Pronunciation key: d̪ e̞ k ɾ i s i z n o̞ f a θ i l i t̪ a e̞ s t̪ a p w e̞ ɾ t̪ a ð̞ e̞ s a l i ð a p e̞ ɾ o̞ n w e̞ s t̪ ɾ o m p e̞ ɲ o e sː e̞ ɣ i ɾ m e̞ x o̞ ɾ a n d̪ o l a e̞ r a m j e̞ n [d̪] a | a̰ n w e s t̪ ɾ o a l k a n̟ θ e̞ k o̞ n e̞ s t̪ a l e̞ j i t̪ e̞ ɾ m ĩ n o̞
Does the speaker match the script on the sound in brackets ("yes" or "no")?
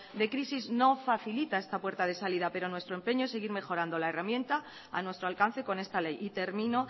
no